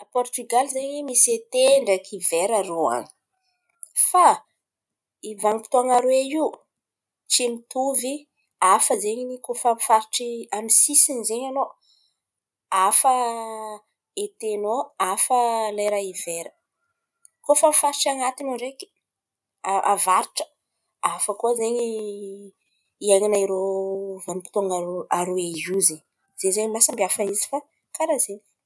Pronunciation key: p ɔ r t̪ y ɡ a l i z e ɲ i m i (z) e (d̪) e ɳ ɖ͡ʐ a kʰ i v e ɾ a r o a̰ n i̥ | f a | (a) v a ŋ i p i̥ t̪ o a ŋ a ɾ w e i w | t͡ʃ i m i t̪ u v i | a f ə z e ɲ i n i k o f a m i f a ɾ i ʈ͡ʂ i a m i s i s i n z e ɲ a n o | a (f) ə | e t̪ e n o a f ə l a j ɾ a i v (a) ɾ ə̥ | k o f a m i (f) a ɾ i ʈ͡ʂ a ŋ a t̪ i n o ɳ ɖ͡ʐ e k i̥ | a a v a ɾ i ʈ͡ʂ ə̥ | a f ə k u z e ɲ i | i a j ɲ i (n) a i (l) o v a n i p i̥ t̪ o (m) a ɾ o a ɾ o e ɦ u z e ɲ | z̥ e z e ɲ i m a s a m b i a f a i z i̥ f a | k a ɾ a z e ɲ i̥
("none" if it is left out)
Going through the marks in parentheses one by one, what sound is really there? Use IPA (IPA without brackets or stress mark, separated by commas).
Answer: s, t̪, i, f, e, f, n, ɾ, ŋ